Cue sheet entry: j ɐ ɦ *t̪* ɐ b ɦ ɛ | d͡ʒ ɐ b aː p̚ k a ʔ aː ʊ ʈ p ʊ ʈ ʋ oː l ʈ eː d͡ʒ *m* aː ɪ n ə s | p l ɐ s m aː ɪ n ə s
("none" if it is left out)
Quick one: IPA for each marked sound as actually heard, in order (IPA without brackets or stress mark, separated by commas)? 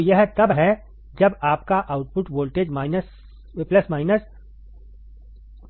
t̪, m